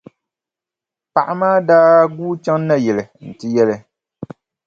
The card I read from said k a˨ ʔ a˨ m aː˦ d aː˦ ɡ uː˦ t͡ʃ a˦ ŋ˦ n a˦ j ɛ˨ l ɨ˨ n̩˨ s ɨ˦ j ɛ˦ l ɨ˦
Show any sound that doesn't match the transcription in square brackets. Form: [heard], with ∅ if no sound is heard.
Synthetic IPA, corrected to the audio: [p] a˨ ʔ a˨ m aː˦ d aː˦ ɡ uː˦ t͡ʃ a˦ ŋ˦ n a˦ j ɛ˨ l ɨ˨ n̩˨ [t] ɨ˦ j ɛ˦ l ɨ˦